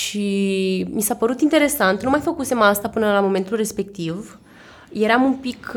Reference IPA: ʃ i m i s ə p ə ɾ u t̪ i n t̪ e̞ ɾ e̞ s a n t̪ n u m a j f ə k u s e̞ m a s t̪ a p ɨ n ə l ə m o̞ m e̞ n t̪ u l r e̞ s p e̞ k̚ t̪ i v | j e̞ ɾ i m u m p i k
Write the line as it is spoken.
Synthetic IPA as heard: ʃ i m i s a p ə ɾ u t̪ i n t̪ e̞ ɾ e̞ s a n t̪ n u m a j f ə k u s e̞ m a s t̪ a p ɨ n ə l a m o̞ m e̞ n t̪ u l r e̞ s p e̞ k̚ t̪ i v | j e̞ ɾ a m u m p i k